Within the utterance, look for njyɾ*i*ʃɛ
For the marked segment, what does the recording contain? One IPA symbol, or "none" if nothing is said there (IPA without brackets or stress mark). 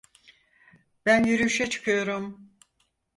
y